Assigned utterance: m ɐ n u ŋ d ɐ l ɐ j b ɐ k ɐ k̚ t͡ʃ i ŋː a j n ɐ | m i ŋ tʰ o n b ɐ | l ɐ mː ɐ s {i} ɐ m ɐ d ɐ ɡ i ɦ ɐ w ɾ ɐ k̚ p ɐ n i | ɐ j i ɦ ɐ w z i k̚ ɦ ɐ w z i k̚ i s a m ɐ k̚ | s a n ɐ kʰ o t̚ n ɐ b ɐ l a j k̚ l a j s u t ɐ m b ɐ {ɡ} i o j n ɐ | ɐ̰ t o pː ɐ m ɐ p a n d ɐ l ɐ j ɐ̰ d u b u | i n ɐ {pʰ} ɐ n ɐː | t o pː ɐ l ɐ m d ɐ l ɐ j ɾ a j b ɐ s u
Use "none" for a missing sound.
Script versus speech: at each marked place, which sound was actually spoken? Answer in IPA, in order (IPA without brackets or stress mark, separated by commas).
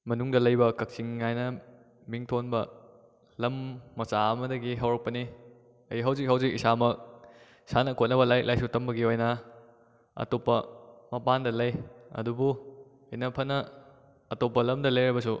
a, ɡ, pʰ